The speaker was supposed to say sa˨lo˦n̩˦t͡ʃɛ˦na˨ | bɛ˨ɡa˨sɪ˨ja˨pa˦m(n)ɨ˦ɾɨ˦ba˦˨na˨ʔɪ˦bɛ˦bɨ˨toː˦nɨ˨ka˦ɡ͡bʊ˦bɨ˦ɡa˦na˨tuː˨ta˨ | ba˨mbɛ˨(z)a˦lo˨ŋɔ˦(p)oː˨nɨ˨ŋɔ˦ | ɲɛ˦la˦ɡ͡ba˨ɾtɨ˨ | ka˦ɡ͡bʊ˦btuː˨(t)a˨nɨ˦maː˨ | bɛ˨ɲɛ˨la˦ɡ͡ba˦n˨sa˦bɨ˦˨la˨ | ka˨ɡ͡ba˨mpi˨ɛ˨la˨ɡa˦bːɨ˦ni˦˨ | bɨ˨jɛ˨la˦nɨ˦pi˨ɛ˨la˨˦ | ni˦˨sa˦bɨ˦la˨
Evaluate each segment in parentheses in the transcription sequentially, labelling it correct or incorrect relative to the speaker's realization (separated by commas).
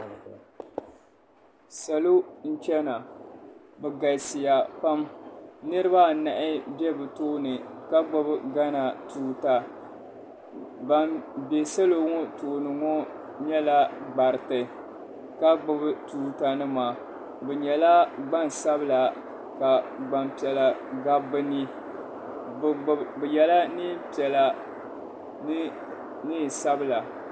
correct, incorrect, incorrect, correct